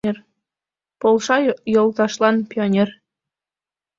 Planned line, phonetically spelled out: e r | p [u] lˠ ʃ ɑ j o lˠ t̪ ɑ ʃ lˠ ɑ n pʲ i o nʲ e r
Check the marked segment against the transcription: incorrect: o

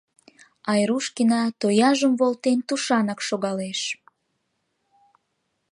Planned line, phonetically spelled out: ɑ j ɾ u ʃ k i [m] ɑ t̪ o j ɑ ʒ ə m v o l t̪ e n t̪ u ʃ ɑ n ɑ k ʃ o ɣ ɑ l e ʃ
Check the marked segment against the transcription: incorrect: n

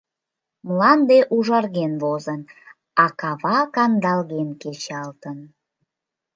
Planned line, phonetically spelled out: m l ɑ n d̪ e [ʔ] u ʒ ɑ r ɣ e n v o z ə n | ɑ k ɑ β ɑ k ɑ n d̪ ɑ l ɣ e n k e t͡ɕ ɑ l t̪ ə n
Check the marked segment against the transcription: correct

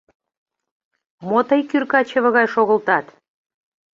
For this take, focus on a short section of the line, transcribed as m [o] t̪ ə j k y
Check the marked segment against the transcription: correct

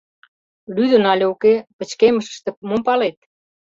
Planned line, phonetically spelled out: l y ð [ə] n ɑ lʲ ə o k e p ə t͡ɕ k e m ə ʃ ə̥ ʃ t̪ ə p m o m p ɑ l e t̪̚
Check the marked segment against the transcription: correct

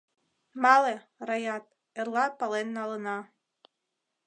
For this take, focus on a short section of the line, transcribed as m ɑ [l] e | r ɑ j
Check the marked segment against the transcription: correct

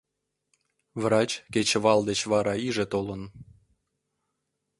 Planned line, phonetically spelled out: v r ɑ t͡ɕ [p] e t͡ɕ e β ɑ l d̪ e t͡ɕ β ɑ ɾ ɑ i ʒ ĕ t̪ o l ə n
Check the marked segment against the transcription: incorrect: k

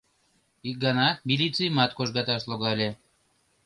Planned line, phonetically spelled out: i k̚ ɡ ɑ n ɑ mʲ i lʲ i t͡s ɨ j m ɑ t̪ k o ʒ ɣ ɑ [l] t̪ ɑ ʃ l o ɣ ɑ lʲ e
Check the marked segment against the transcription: incorrect: none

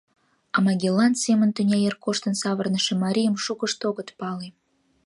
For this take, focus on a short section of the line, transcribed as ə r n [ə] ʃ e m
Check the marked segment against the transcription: correct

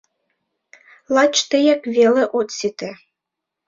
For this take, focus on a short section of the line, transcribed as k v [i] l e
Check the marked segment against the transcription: incorrect: e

